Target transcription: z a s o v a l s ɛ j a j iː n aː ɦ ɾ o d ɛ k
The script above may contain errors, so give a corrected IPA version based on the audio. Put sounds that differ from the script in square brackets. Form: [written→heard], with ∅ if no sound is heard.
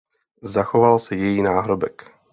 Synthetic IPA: z a [s→x] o v a l s ɛ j [a→ɛ] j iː n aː ɦ ɾ o [d→b] ɛ k